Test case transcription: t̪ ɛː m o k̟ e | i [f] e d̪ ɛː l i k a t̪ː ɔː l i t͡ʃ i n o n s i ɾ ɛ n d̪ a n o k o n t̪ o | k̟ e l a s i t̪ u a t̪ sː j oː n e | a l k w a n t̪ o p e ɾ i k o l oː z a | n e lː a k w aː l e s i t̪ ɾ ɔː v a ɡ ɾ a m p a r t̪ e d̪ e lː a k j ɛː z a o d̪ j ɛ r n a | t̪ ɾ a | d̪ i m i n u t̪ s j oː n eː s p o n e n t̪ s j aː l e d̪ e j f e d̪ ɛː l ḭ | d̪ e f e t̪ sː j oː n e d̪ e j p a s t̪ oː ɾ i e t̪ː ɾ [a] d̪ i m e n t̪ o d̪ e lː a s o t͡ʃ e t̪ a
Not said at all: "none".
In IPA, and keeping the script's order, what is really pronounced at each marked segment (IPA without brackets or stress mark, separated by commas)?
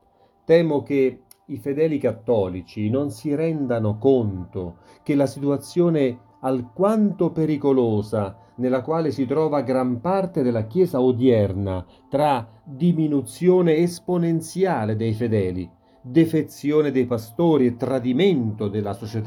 f, a